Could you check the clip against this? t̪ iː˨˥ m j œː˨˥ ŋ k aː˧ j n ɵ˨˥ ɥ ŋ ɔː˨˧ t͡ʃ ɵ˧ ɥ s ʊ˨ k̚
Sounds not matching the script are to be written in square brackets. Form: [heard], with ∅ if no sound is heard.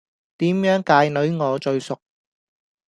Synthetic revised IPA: t̪ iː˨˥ m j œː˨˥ ŋ k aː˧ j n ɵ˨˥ ɥ ŋ ɔː˨˧ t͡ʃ ɵ˧ ɥ s ʊ˨ k̚